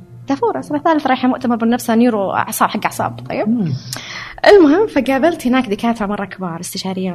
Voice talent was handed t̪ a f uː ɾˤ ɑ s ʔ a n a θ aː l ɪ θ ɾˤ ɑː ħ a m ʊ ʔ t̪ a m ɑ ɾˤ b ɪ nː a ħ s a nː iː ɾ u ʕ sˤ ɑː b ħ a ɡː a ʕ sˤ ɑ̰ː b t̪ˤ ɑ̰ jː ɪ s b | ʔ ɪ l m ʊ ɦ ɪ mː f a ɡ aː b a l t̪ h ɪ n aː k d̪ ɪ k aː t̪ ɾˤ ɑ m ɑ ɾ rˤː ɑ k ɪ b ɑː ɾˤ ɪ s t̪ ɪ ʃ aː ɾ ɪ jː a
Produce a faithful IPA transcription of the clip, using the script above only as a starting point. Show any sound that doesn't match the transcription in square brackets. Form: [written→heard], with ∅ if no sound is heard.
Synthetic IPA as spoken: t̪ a f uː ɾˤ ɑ s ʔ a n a θ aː l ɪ θ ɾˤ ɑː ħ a m ʊ ʔ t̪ a m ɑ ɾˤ b ɪ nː a [ħ→f] s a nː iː ɾ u ʕ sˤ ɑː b ħ a ɡː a ʕ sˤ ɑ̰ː b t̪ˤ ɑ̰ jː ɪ [s→∅] b | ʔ ɪ l m ʊ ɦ ɪ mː f a ɡ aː b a l t̪ h ɪ n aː k d̪ ɪ k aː t̪ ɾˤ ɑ m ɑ [ɾ→∅] rˤː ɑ k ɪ b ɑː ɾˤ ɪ s t̪ ɪ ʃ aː ɾ ɪ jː a